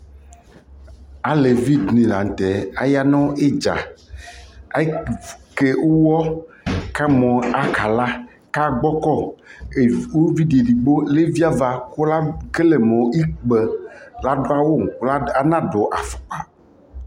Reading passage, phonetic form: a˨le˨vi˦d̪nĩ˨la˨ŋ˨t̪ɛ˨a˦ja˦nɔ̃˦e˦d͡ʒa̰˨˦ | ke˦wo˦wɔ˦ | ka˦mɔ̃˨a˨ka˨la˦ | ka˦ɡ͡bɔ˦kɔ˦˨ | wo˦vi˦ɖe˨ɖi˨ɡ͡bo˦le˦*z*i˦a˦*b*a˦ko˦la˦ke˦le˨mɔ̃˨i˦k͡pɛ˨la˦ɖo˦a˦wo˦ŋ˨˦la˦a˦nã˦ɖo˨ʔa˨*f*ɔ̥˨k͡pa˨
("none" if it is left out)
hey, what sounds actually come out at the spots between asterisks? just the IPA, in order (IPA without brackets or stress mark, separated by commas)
v, v, f